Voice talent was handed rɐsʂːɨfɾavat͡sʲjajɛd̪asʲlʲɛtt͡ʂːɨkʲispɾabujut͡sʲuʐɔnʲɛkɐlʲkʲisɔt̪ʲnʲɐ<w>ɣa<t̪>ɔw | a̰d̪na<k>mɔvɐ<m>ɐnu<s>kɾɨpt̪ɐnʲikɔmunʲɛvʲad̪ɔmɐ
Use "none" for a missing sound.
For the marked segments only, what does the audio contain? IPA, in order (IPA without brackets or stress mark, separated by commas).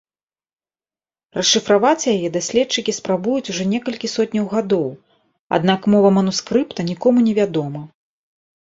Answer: w, d̪, k, m, s